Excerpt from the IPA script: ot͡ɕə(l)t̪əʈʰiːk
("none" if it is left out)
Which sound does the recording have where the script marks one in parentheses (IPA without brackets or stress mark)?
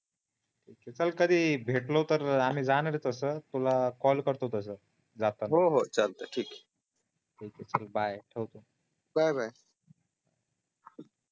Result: l